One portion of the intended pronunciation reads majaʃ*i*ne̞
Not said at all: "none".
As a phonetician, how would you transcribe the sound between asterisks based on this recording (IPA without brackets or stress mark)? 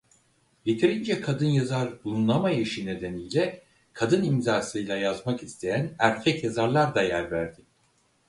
i